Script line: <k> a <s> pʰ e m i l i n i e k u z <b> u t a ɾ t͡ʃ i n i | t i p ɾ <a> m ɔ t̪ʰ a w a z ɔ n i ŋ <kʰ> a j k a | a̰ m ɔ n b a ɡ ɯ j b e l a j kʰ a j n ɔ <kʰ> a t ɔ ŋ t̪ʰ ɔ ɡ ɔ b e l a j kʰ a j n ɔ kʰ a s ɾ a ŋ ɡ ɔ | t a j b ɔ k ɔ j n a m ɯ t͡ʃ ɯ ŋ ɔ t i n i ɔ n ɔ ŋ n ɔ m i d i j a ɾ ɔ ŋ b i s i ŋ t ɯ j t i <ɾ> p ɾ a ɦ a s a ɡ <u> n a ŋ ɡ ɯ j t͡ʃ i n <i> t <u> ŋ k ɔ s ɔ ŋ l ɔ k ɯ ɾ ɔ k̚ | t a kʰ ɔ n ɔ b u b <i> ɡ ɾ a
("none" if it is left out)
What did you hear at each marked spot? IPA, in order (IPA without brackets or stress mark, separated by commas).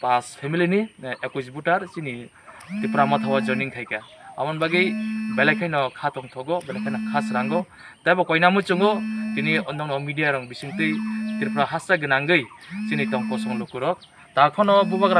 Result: p, s, b, a, kʰ, kʰ, ɾ, ɯ, i, ɔ, a